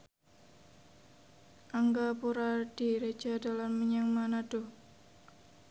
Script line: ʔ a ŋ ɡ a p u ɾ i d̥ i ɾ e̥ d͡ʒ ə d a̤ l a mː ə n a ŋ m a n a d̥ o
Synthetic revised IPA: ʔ a ŋ ɡ a p u ɾ a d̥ i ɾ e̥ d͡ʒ a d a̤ l a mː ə ɲ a ŋ m a n a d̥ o